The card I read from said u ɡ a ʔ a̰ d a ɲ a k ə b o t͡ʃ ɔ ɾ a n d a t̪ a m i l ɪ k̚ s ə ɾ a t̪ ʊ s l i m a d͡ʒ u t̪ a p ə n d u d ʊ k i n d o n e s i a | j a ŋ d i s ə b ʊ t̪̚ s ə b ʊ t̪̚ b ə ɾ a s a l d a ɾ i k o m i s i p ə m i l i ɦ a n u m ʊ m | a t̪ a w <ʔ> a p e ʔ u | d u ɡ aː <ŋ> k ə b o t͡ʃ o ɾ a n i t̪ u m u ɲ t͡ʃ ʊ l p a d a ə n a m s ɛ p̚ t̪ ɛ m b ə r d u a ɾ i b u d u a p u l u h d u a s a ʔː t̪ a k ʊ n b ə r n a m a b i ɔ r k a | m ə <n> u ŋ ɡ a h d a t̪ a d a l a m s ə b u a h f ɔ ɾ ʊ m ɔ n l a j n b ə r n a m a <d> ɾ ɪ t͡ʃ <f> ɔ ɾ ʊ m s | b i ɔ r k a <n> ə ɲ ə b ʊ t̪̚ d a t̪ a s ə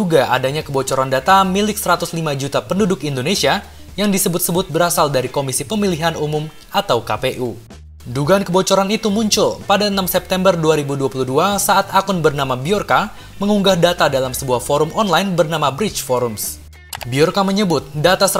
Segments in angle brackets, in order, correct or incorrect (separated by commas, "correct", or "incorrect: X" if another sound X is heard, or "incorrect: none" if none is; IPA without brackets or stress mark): incorrect: k, incorrect: n, incorrect: ŋ, incorrect: b, correct, incorrect: m